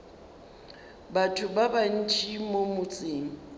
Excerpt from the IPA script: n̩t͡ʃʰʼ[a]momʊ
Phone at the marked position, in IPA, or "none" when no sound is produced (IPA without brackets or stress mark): i